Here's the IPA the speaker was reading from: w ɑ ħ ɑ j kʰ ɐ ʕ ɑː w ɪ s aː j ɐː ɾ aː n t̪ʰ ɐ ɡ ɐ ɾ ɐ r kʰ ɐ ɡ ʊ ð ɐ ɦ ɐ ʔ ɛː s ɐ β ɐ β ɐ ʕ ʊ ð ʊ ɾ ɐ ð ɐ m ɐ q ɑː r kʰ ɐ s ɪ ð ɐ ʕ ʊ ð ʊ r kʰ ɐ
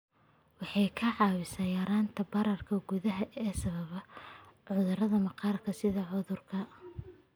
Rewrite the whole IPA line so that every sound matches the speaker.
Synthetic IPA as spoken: w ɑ ħ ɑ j kʰ ɐ ʕ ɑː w ɪ s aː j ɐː ɾ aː n t̪ʰ ɐ b ɐ ɾ ɐ r kʰ ɐ ɡ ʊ ð ɐ ɦ ɐ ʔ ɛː s ɐ β ɐ β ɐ ʕ ʊ ð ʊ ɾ ɐ ð ɐ m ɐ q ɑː r kʰ ɐ s ɪ ð ɐ ʕ ʊ ð ʊ r kʰ ɐ

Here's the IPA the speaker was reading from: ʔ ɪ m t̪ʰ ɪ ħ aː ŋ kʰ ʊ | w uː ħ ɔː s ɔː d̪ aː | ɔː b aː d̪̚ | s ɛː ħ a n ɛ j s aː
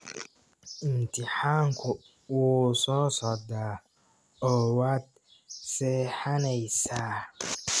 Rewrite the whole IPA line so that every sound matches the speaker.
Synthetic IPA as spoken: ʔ ɪ m t̪ʰ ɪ ħ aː ŋ kʰ ʊ | w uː s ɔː s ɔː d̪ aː | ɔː w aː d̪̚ | s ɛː ħ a n ɛ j s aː

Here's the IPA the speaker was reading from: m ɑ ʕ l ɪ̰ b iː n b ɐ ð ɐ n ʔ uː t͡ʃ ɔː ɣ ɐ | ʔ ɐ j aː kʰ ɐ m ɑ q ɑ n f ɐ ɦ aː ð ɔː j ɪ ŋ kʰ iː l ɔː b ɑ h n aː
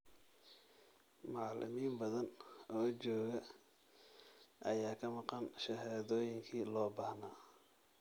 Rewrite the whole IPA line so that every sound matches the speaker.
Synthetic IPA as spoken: m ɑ ʕ l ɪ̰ m iː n b ɐ ð ɐ n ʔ ɔː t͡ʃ ɔː ɣ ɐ | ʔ ɐ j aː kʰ ɐ m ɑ q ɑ n ʃ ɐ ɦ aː ð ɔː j ɪ ŋ kʰ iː l ɔː b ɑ h n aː

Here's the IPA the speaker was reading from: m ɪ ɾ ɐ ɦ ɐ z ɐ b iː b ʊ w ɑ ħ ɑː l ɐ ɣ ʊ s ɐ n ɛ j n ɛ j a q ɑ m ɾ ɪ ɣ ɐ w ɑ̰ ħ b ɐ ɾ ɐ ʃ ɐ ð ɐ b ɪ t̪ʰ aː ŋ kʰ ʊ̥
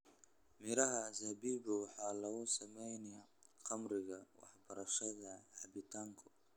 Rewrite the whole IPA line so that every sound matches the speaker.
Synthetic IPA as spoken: m ɪ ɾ ɐ ɦ ɐ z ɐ b iː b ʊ w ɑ ħ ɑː l ɐ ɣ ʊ s ɐ m ɛ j n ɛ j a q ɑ m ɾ ɪ ɣ ɐ w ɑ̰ ħ b ɐ ɾ ɐ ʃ ɐ ð ɐ b ɪ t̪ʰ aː ŋ kʰ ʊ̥

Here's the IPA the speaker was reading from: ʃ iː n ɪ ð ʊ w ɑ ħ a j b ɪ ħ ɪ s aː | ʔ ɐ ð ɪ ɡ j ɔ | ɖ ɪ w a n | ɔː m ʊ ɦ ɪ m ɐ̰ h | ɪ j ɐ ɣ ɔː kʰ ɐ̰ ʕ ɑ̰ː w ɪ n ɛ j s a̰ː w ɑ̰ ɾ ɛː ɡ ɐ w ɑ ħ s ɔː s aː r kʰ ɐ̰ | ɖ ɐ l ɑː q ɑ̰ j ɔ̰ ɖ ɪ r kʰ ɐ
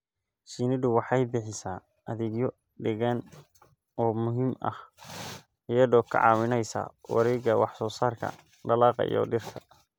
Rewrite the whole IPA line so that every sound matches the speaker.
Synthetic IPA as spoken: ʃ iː n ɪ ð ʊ w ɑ ħ ɑ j b ɪ ħ ɪ s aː | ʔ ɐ ð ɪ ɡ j ɔ | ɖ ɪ ɣ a n | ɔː m ʊ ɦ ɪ m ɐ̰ h | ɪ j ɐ ð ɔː kʰ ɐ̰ ʕ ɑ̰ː w ɪ n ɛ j s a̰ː w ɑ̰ ɾ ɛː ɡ ɐ w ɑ ħ s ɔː s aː r kʰ ɐ̰ | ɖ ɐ l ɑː q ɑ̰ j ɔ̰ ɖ ɪ r kʰ ɐ

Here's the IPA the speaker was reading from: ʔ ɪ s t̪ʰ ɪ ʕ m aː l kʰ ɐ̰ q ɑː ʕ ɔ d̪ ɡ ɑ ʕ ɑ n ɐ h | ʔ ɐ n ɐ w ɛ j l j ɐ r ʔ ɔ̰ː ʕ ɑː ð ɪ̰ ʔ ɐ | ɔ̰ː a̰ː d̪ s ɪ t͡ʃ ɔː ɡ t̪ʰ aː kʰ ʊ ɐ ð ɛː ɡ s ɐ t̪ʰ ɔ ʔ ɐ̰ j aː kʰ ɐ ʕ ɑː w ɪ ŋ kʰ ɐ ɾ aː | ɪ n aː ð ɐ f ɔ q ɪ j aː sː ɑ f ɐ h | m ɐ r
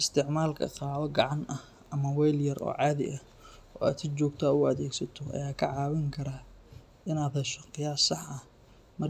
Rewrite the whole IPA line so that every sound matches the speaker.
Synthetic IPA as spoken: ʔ ɪ s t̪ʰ ɪ ʕ m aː l kʰ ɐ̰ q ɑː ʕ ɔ ɡ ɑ ʕ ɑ n ɐ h | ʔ ɐ m ɐ w ɛ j l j ɐ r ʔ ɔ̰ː ʕ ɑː ð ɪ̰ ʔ ɐ | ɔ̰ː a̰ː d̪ s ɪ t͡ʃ ɔː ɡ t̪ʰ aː ʊ ɐ ð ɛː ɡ s ɐ t̪ʰ ɔ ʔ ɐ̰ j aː kʰ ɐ ʕ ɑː w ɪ ŋ kʰ ɐ ɾ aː | ɪ n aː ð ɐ ʃ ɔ q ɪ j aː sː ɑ ħ ɐ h | m ɐ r

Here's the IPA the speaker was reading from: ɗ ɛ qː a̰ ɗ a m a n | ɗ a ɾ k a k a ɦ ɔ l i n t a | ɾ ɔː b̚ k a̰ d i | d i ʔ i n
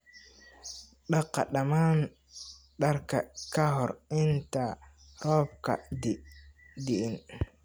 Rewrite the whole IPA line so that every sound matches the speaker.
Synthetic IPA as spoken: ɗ a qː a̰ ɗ a m a n | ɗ a ɾ k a k a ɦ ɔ ɾ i n t a | ɾ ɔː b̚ k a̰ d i | d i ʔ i n

